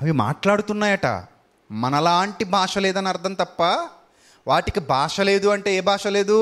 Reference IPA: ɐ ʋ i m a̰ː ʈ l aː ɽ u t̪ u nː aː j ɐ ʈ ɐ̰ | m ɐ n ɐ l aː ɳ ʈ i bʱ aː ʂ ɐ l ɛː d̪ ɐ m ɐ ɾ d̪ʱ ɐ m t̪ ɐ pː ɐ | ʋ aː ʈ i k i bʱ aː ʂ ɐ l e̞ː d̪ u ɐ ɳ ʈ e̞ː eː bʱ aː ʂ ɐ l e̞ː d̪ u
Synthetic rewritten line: ɐ ʋ i m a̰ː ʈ l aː ɽ u t̪ u nː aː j ɐ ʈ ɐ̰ | m ɐ n ɐ l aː ɳ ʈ i bʱ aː ʂ ɐ l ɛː d̪ ɐ n ɐ ɾ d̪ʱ ɐ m t̪ ɐ pː ɐ | ʋ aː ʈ i k i bʱ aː ʂ ɐ l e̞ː d̪ u ɐ ɳ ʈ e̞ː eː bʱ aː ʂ ɐ l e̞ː d̪ u